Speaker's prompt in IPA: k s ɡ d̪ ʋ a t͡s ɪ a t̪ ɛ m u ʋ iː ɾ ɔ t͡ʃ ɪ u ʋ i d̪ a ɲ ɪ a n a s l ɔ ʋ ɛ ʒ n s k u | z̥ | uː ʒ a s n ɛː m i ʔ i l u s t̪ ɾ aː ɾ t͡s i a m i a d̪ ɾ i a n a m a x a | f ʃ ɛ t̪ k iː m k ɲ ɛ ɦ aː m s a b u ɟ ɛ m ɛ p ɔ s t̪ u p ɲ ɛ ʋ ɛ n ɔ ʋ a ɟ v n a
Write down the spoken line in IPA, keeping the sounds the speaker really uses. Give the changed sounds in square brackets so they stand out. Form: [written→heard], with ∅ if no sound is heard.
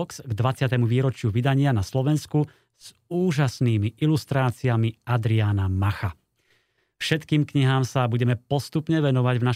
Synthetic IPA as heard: k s ɡ d̪ ʋ a t͡s ɪ a t̪ ɛ m u ʋ iː ɾ ɔ t͡ʃ ɪ u ʋ i d̪ a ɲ ɪ a n a s l ɔ ʋ ɛ [ʒ→∅] n s k u | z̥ | uː ʒ a s n [ɛː→iː] m i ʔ i l u s t̪ ɾ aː [ɾ→∅] t͡s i a m i a d̪ ɾ i a n a m a x a | f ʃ ɛ t̪ k iː m k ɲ [ɛ→i] ɦ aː m s a b u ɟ ɛ m ɛ p ɔ s t̪ u p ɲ ɛ ʋ ɛ n ɔ ʋ a ɟ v n a